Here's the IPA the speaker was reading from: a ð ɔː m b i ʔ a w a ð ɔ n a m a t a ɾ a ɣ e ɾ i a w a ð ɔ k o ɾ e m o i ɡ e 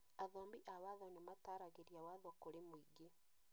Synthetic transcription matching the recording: a ð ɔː m b i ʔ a w a ð ɔ n e m a t a ɾ a ɣ e ɾ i a w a ð ɔ k o ɾ e m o i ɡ e